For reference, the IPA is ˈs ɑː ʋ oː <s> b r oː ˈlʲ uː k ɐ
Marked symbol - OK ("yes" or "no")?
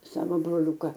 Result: no